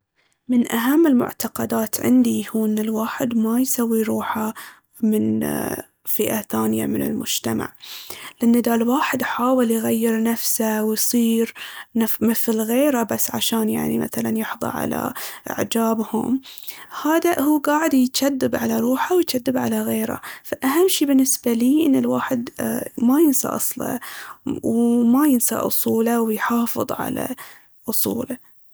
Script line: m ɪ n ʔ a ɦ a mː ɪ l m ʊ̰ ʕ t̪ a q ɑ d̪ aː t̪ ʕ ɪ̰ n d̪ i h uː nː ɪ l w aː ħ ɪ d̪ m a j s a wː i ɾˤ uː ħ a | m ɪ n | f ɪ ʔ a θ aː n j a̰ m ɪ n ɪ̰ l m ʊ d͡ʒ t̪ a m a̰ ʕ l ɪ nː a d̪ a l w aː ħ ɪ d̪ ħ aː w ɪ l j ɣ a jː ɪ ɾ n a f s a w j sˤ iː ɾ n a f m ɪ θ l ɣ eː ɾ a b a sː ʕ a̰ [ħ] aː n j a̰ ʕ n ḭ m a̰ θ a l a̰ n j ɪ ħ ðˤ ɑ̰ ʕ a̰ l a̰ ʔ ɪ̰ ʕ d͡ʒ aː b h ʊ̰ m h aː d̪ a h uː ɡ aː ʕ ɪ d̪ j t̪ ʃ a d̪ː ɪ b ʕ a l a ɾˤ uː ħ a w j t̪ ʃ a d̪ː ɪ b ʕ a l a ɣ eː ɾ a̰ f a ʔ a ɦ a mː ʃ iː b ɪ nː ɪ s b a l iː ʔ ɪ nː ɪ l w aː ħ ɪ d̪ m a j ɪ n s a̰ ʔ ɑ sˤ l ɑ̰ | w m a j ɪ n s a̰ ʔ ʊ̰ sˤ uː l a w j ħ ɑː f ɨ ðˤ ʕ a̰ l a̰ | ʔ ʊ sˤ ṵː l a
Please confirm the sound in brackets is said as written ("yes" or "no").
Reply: no